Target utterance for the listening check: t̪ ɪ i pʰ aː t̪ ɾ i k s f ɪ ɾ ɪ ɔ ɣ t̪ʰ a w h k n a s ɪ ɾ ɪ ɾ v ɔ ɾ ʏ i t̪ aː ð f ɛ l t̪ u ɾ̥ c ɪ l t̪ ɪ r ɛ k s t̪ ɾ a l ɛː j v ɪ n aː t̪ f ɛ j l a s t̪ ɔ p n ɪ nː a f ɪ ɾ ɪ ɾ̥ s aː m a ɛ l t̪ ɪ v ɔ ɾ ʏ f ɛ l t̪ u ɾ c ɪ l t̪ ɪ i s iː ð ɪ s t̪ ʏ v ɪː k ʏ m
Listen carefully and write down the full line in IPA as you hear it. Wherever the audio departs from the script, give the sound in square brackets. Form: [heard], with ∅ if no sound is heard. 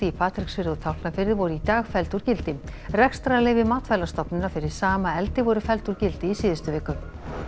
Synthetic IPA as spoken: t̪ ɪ i pʰ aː t̪ ɾ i k s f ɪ ɾ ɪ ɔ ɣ t̪ʰ a w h k n a [f] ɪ ɾ ɪ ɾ v ɔ ɾ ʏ i t̪ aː [ɣ] f ɛ l t̪ u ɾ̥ c ɪ l t̪ ɪ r ɛ k s t̪ ɾ a l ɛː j v ɪ [m] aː t̪ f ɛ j l a s t̪ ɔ p n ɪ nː a f ɪ ɾ ɪ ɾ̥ s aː m a ɛ l t̪ ɪ v ɔ ɾ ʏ f ɛ l t̪ u ɾ c ɪ l t̪ ɪ i s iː ð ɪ s t̪ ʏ v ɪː k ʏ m